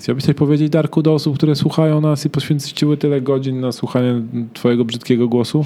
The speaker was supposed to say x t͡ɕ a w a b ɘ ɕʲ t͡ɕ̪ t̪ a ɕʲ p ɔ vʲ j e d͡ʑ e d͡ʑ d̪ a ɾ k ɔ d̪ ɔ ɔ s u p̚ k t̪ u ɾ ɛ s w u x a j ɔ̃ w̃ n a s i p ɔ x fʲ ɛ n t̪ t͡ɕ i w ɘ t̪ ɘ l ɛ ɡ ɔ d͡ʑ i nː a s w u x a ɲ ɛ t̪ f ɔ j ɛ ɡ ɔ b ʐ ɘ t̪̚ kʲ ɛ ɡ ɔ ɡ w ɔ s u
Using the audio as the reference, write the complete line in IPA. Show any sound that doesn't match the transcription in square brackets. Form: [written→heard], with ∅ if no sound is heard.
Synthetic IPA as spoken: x t͡ɕ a w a b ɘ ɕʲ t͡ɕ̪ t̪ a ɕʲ p ɔ vʲ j e d͡ʑ e d͡ʑ d̪ a ɾ k [ɔ→u] d̪ ɔ ɔ s u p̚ k t̪ u ɾ ɛ s w u x a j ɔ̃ w̃ n a s i p ɔ [x→ɕ] fʲ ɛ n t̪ t͡ɕ i w ɘ t̪ ɘ l ɛ ɡ ɔ d͡ʑ i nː a s w u x a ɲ ɛ t̪ f ɔ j ɛ ɡ ɔ b ʐ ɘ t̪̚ kʲ ɛ ɡ ɔ ɡ w ɔ s u